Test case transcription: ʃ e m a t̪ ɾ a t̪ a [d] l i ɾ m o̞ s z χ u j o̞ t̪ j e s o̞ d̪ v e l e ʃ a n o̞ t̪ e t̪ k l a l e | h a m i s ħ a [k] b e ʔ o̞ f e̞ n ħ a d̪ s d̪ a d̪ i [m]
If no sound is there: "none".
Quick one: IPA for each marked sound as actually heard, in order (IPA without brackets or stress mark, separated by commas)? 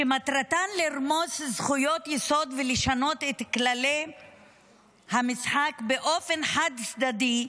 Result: n, k, none